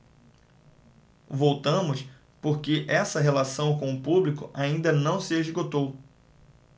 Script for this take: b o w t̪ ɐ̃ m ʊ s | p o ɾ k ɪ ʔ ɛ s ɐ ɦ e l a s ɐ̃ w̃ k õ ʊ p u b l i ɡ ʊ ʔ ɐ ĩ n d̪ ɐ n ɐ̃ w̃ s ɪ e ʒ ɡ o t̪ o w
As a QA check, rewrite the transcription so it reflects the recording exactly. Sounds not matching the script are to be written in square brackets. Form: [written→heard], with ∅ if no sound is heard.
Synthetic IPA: [b→v] o w t̪ ɐ̃ m ʊ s | p o ɾ k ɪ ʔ ɛ s ɐ ɦ e l a s ɐ̃ w̃ k õ ʊ p u b l i [ɡ→k] ʊ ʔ [ɐ→a] ĩ n d̪ ɐ n ɐ̃ w̃ s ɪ e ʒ ɡ o t̪ o w